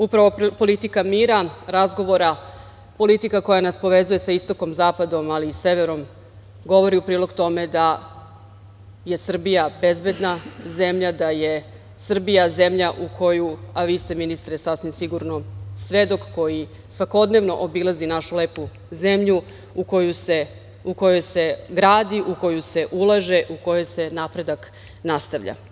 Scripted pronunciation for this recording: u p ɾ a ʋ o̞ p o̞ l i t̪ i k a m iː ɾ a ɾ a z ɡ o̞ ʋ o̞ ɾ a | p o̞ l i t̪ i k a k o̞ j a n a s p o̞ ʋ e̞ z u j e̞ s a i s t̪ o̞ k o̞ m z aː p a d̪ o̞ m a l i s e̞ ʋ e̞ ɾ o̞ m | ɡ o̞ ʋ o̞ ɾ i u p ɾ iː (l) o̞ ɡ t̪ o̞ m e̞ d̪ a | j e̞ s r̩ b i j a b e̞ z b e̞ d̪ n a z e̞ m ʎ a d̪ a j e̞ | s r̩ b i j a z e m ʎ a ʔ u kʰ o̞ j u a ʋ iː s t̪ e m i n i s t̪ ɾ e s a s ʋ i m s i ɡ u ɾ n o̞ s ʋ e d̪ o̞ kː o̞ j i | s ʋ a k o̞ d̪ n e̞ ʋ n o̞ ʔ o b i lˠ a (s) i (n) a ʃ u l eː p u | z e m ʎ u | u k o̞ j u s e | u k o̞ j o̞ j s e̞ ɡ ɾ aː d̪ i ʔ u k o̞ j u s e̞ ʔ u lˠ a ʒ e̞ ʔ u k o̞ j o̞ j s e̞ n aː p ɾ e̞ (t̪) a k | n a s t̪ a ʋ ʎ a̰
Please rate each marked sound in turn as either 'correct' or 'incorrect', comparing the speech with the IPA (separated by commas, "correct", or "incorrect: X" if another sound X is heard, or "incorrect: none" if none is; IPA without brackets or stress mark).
correct, incorrect: z, correct, incorrect: d̪